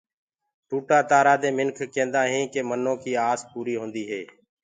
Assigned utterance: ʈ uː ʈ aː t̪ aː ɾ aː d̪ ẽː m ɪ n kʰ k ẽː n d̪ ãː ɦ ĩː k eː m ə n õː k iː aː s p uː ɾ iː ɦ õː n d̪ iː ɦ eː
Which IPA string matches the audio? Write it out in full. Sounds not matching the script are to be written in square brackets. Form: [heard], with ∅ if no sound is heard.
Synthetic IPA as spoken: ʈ uː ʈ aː t̪ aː ɾ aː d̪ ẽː m ɪ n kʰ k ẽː n d̪ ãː ɦ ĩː k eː m ə n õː k iː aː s p uː ɾ iː ɦ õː n d̪ iː ɦ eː